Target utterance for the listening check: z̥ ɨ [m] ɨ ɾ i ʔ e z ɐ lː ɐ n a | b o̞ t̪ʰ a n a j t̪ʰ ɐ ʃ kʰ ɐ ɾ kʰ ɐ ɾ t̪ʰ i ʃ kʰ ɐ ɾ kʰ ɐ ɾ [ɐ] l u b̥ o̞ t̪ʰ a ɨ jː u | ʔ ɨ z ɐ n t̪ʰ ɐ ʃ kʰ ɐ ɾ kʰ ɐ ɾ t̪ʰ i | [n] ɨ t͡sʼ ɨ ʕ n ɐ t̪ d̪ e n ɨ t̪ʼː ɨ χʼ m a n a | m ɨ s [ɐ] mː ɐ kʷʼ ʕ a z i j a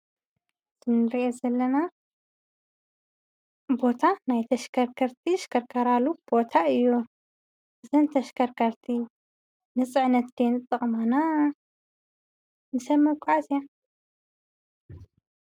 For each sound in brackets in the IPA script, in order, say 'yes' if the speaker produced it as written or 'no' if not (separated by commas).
no, no, yes, yes